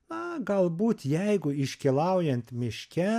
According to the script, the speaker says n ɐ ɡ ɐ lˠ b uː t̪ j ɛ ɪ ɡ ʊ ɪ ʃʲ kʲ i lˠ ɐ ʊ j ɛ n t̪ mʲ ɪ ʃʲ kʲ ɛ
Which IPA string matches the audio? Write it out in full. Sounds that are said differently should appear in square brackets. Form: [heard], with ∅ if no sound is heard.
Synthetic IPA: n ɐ ɡ ɐ lˠ b uː t̪ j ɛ ɪ ɡ ʊ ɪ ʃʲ kʲ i lˠ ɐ ʊ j ɛ n t̪ mʲ ɪ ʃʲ kʲ ɛ